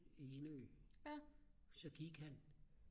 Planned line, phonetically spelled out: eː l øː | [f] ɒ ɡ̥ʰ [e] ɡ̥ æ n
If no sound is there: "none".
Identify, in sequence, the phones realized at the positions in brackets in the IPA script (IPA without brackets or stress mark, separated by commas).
s, i